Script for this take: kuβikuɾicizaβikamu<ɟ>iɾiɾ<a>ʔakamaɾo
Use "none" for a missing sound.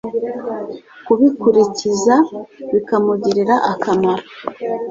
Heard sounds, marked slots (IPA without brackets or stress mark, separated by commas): ɟ, a